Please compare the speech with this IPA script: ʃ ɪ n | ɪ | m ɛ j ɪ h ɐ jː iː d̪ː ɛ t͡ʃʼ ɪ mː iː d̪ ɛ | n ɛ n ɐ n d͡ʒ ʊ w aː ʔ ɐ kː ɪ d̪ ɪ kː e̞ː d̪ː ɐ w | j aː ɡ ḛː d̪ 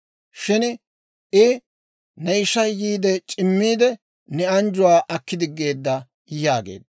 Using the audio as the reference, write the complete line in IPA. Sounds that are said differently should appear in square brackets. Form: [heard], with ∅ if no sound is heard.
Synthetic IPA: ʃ ɪ n | ɪ | [n] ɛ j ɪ [ʃ] ɐ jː iː [d̪] ɛ t͡ʃʼ ɪ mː iː d̪ ɛ | n ɛ [∅] ɐ n d͡ʒ ʊ w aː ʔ ɐ kː ɪ d̪ ɪ [ɡː] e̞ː d̪ː ɐ [∅] | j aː ɡ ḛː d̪